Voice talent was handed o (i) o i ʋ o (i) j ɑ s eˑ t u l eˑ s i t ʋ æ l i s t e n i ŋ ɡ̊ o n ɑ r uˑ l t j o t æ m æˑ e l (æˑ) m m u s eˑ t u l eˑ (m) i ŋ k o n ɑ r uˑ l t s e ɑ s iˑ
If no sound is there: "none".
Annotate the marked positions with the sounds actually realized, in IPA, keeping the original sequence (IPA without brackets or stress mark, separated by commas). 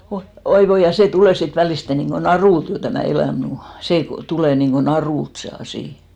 i, i, æˑ, n